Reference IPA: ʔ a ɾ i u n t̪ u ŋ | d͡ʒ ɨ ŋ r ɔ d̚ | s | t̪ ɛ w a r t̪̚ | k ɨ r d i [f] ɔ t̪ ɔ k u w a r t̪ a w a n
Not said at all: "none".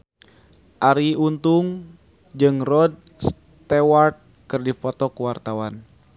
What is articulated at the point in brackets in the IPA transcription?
f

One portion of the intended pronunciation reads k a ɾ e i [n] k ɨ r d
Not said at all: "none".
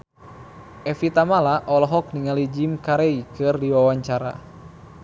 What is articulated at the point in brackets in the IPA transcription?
none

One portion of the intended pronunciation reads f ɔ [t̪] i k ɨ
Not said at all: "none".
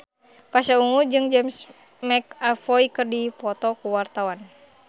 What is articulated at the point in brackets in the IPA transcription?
none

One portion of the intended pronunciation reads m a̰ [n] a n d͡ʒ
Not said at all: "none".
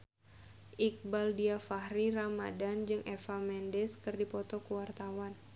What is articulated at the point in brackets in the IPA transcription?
d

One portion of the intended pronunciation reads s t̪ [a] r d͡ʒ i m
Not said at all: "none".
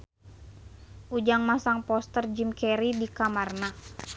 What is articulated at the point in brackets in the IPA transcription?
ə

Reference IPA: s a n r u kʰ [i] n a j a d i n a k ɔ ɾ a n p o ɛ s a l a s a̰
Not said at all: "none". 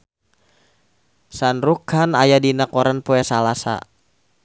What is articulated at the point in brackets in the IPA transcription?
a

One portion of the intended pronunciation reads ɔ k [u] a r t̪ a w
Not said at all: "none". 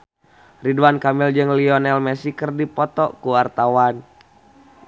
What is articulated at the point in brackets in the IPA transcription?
u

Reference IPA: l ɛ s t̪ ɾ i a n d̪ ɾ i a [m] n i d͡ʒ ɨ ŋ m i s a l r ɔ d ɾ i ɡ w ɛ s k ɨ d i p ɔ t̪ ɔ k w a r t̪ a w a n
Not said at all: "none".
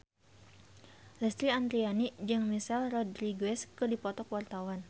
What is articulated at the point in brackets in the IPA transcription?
none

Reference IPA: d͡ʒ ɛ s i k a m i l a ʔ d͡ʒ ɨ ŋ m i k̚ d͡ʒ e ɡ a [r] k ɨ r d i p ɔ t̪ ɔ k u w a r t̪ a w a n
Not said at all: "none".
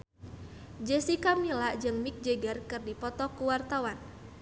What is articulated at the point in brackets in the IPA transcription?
r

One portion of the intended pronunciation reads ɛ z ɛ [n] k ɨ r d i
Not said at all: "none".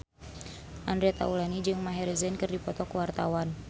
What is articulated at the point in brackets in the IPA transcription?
n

